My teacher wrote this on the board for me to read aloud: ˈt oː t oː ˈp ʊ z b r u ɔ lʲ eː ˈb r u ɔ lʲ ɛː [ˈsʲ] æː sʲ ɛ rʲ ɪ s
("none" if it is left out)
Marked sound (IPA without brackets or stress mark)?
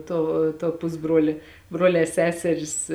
sʲ